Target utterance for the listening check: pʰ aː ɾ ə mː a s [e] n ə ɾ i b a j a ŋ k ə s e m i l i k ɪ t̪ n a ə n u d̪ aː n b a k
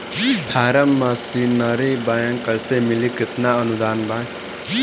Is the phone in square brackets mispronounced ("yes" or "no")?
yes